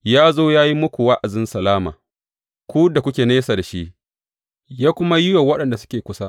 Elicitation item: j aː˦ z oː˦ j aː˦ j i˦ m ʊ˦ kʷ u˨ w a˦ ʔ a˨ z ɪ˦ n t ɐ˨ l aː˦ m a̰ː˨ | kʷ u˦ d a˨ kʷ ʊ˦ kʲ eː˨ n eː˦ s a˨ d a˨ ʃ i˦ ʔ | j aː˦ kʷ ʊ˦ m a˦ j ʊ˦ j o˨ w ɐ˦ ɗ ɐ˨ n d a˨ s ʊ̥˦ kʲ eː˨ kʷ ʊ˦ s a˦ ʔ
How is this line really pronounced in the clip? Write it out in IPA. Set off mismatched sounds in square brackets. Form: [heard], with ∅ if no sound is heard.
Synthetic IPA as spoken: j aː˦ z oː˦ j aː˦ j i˦ m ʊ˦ kʷ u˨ w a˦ ʔ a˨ z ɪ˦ n [s] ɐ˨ l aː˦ m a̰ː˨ | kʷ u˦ d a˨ kʷ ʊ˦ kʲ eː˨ n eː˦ s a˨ d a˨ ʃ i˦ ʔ | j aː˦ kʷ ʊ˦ m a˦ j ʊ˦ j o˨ w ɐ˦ ɗ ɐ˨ n d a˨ s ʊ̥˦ kʲ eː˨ kʷ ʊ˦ s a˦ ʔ

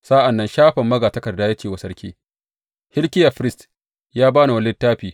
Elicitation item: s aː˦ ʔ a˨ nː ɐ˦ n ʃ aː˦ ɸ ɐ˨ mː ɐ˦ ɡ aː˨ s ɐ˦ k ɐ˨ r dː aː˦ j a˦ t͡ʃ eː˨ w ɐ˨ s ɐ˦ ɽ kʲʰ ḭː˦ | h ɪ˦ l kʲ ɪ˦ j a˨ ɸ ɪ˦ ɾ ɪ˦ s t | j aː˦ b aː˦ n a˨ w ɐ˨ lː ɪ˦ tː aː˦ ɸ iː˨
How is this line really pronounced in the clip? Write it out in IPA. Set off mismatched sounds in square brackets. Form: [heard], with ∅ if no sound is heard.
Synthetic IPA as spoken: s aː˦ ʔ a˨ nː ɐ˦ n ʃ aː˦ ɸ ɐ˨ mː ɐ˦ ɡ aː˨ [t] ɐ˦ k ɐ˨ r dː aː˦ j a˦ t͡ʃ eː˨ w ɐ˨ s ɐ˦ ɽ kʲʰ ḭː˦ | h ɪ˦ l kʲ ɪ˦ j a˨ ɸ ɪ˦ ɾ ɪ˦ s t | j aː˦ b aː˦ n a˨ w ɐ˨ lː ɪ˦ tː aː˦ ɸ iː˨

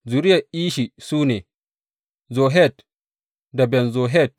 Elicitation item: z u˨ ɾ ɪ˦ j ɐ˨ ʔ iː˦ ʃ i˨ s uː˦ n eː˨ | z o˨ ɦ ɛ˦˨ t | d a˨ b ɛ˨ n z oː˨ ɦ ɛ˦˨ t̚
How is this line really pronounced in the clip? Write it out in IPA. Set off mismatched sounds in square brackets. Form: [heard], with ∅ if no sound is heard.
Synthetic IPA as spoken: z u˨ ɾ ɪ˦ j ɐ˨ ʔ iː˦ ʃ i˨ s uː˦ n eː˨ | z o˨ ɦ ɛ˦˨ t | d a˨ b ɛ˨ n z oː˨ ɦ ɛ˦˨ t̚

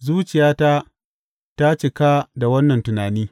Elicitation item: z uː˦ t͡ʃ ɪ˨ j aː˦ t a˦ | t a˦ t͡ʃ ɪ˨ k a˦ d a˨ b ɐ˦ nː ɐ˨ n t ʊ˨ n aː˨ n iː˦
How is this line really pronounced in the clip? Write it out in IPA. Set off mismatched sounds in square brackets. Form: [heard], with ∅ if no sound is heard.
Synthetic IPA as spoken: z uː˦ t͡ʃ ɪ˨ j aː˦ t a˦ | t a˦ t͡ʃ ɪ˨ k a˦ d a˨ [w] ɐ˦ nː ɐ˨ n t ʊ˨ n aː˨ n iː˦

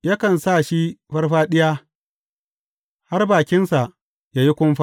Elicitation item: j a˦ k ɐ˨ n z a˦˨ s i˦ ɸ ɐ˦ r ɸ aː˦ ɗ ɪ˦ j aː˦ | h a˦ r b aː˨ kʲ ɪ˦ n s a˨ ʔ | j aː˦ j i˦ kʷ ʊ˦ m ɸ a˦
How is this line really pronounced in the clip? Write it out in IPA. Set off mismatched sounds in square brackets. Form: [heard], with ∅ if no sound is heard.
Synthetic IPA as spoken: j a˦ k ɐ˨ n [s] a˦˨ [ʃ] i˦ ɸ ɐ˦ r ɸ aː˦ ɗ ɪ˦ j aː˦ | h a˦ r b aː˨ kʲ ɪ˦ n s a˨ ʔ | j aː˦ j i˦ kʷ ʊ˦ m ɸ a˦

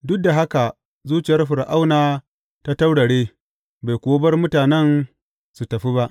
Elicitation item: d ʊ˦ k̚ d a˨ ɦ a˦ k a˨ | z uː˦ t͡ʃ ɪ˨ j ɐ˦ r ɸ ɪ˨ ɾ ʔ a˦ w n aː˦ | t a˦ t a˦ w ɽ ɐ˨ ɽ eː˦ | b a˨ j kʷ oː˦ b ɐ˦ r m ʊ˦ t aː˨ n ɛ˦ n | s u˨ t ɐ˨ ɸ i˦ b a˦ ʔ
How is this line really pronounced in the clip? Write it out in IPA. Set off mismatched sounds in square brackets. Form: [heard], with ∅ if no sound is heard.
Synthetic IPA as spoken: d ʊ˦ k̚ d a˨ ɦ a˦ k a˨ | z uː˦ t͡ʃ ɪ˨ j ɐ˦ r ɸ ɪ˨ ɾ ʔ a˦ w n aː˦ | t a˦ t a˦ w ɽ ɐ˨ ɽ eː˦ | b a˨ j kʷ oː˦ b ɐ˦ r m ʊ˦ t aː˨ n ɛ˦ n | s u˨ t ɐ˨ ɸ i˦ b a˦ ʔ

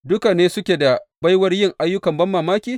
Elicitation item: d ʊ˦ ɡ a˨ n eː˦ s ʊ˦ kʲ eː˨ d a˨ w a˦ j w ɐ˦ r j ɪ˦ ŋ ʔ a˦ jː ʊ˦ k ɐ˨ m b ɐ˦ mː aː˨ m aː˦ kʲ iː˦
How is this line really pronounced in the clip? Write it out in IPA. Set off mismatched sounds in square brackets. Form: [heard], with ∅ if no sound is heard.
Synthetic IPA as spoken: d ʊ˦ [k] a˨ n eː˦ s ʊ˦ kʲ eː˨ d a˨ [b] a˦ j w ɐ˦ r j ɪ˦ ŋ ʔ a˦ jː ʊ˦ k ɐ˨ m b ɐ˦ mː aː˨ m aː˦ kʲ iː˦

